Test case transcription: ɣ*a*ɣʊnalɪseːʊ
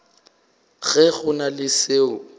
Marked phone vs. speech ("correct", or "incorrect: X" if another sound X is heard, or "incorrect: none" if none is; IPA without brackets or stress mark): incorrect: ɛ